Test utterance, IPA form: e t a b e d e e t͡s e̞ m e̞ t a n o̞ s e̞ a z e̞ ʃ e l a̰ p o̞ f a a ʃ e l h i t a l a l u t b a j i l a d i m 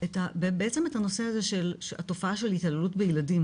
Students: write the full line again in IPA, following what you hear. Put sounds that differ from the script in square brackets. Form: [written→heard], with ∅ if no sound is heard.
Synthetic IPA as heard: e t a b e [d→b] e e t͡s e̞ m e̞ t a n o̞ s e̞ a z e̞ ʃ e l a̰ [p→t] o̞ f a a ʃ e l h i t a l [a→e] l u t b [a→e] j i l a d i m